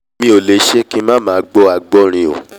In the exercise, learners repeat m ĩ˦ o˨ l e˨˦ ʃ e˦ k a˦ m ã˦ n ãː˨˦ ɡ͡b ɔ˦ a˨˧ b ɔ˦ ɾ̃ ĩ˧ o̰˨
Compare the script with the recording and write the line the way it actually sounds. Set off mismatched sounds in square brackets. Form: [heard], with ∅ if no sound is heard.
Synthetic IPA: m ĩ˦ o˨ l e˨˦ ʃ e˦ k [i˦] m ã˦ [m] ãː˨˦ ɡ͡b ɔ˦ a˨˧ [ɡ͡b] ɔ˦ ɾ̃ ĩ˧ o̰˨